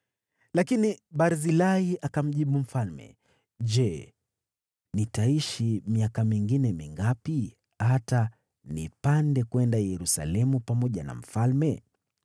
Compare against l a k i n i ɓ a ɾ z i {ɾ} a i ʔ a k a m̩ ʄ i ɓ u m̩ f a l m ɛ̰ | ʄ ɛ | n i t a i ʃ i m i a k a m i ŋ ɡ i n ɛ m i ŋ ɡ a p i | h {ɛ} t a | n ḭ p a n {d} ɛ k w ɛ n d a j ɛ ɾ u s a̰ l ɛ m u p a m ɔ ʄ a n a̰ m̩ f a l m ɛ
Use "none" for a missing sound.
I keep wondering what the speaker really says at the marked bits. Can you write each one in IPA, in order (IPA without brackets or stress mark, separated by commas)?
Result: l, a, d